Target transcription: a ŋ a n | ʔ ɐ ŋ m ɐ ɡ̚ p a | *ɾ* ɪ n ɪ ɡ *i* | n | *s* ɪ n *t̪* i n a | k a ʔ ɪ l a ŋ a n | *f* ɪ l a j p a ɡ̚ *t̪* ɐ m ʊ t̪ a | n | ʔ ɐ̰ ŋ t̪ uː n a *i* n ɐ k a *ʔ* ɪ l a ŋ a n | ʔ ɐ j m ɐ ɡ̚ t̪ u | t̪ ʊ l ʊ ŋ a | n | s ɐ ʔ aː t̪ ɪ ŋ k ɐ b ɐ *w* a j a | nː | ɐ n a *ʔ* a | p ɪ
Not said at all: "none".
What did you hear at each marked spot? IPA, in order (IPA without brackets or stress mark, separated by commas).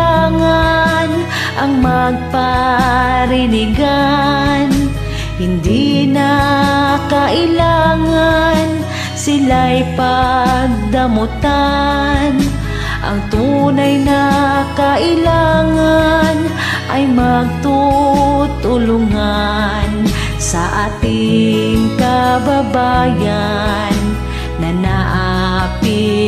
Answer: ɾ, a, h, d̪, s, d̪, j, ʔ, b, ʔ